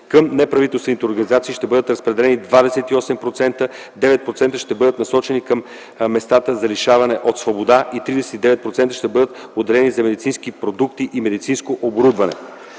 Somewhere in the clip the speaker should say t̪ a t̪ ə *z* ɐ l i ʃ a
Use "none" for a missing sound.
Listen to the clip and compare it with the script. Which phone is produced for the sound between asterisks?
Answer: z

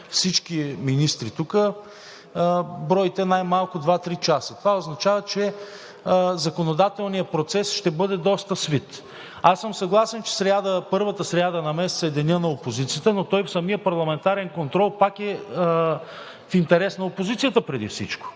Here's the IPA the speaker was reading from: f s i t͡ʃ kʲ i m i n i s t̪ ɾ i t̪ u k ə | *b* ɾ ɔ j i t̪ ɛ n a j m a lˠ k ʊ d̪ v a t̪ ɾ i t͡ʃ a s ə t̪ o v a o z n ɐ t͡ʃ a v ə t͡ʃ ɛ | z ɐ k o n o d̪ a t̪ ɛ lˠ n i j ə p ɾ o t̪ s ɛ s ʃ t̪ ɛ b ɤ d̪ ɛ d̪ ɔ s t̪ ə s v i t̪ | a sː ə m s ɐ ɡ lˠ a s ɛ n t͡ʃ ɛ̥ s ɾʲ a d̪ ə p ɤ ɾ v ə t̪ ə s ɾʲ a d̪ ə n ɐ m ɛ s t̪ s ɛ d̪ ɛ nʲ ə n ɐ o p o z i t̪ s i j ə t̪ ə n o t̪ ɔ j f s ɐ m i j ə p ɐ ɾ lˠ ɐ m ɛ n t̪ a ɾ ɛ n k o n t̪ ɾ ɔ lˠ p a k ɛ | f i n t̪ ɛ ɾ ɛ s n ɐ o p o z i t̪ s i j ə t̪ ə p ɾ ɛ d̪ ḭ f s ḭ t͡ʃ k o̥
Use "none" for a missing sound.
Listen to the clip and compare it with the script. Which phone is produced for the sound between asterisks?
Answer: b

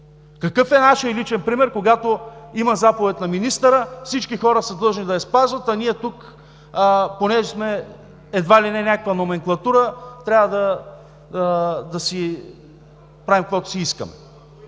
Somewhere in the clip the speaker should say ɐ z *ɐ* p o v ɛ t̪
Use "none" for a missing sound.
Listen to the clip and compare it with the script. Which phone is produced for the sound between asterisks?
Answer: a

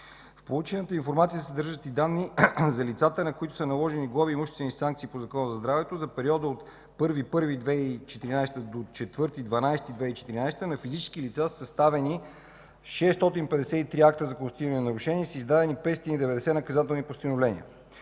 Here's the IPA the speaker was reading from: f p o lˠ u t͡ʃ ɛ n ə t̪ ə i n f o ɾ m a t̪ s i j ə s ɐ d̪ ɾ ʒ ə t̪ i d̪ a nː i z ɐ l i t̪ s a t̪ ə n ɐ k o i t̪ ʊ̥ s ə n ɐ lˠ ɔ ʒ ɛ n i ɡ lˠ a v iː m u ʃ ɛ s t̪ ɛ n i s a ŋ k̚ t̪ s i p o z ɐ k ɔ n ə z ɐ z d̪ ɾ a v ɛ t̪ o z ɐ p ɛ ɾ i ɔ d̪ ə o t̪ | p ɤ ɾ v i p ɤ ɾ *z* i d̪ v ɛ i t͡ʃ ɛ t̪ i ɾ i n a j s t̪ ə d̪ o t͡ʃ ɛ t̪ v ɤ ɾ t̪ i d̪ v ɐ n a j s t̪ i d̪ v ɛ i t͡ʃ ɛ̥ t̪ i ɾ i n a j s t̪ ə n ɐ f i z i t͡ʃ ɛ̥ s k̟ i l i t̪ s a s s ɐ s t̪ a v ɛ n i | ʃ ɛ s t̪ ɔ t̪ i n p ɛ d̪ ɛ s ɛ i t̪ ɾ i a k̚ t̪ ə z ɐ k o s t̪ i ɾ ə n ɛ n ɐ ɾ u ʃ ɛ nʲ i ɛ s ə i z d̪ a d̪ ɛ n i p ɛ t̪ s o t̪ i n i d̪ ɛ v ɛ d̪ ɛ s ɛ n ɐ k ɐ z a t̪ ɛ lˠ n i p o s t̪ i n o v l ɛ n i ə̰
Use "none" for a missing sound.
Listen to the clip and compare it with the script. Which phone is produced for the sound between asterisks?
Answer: v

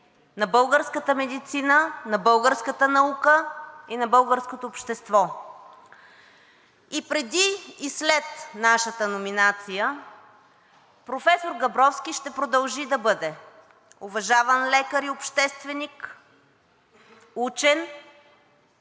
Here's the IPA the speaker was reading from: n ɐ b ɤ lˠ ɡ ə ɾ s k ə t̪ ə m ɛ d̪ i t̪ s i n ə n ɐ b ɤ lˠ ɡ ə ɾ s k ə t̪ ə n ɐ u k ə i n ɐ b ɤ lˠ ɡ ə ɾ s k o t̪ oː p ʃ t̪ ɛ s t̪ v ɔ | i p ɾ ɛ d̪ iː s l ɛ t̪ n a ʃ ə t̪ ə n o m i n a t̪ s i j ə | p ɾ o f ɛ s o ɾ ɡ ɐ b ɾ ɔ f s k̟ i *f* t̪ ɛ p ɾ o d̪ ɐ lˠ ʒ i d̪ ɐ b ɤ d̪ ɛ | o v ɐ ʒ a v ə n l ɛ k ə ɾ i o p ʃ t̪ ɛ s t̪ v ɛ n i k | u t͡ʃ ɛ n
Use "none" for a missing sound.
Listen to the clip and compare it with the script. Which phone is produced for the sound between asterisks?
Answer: ʃ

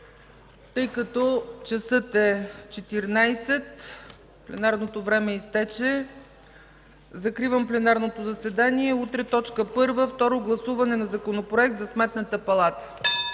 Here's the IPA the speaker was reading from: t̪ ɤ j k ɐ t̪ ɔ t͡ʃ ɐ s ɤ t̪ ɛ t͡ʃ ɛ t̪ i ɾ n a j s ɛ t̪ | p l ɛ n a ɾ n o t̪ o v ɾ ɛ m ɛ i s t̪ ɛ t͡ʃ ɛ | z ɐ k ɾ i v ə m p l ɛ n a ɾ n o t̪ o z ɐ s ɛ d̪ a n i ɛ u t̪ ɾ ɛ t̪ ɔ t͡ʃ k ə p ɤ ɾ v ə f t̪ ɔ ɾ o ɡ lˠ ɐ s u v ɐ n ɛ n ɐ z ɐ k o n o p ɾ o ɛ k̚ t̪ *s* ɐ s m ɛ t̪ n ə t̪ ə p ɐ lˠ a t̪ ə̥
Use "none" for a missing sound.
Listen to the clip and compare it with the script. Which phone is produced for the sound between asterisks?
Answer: z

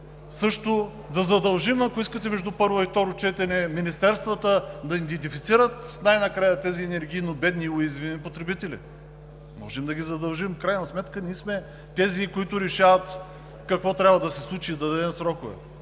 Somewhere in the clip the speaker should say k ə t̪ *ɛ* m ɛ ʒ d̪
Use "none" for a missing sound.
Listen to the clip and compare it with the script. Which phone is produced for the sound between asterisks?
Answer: ɛ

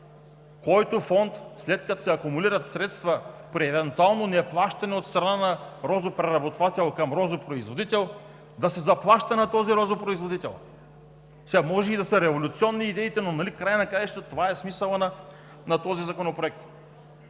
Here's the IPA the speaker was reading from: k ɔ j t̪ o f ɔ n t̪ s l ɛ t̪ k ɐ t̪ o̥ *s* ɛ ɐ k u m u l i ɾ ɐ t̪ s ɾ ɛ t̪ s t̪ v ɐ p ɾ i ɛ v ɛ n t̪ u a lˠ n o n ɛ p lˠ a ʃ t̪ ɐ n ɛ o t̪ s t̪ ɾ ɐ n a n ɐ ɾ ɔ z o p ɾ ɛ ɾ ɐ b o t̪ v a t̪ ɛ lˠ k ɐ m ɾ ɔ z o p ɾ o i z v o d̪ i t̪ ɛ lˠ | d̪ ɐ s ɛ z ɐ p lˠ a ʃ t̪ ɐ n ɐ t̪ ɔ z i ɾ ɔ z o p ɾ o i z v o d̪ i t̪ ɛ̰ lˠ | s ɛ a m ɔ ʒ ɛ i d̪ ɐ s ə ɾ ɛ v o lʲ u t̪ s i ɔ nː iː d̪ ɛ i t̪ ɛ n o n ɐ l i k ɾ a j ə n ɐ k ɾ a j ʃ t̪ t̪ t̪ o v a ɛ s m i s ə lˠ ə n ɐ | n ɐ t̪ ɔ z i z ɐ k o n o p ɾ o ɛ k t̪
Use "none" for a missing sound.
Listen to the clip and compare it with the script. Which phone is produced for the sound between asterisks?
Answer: s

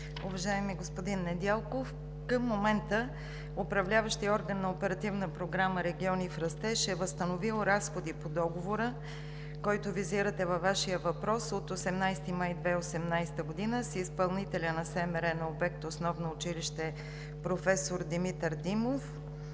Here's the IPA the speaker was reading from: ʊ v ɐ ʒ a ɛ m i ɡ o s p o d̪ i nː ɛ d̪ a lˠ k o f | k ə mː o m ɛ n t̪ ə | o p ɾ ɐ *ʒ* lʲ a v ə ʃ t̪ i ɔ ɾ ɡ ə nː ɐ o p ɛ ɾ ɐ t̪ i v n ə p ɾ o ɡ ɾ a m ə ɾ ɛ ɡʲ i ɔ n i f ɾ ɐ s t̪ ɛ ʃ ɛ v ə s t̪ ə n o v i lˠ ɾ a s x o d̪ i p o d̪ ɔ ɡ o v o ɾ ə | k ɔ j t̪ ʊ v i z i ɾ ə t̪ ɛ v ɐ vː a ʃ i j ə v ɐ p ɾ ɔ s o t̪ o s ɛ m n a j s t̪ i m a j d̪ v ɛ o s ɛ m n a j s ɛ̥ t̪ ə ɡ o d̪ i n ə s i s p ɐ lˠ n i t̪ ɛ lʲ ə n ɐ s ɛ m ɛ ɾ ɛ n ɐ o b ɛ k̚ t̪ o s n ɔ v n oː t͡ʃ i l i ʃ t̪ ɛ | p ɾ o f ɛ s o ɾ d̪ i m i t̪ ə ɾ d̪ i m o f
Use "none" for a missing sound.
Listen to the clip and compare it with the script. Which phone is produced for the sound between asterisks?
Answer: v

